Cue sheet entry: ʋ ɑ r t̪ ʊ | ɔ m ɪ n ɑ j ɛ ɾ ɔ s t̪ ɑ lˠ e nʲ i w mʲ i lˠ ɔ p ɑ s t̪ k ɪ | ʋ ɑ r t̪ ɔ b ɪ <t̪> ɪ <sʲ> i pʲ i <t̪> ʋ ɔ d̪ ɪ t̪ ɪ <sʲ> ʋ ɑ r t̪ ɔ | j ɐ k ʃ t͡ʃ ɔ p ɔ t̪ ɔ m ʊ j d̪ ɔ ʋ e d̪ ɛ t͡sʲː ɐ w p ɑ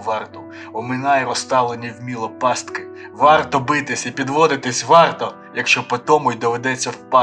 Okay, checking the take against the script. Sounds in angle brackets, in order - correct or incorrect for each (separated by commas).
correct, correct, incorrect, correct